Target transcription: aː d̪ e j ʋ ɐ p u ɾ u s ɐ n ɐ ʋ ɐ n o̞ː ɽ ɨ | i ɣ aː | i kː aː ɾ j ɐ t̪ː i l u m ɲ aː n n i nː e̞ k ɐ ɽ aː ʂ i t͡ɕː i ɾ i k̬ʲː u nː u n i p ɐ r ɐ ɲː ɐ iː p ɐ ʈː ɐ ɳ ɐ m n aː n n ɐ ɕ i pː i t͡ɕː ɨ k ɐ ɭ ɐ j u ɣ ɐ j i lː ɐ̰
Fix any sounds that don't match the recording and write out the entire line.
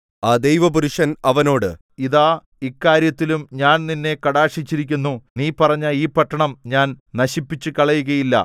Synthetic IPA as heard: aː d̪ e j ʋ ɐ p u ɾ u ʂ ɐ n ɐ ʋ ɐ n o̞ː ɽ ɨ | i ð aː | i kː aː ɾ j ɐ t̪ː i l u m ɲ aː n n i nː e̞ k ɐ ɽ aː ʂ i t͡ɕː i ɾ i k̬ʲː u nː u n iː p ɐ r ɐ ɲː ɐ iː p ɐ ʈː ɐ ɳ ɐ m ɲ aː n n ɐ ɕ i pː i t͡ɕː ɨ k ɐ ɭ ɐ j u ɣ ɐ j i lː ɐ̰